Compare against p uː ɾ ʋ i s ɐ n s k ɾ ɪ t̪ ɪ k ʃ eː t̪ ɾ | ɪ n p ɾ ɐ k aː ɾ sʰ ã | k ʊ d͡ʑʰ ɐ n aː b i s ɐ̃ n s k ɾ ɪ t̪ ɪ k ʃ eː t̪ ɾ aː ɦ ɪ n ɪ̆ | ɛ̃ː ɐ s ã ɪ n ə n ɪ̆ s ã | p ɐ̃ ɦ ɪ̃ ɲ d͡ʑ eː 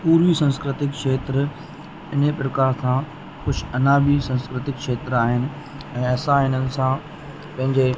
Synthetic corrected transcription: p uː ɾ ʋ i s ɐ̃ n s k ɾ ɪ t̪ ɪ k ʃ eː t̪ ɾ | ɪ n p ɾ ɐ k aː ɾ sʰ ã | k ʊ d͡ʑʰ ɐ n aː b i s ɐ̃ n s k ɾ ɪ t̪ ɪ k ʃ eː t̪ ɾ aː ɦ ɪ n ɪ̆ | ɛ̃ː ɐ s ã ɪ n ə n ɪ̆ s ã | p ɐ̃ ɦ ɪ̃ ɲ d͡ʑ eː